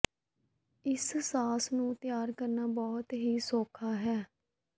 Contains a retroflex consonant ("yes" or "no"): no